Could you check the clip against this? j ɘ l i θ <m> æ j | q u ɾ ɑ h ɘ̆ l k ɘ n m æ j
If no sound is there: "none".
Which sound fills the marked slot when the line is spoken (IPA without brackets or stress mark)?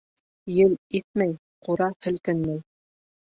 m